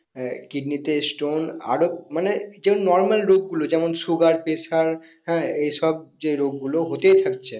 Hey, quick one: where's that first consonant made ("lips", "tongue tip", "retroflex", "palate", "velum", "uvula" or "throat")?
velum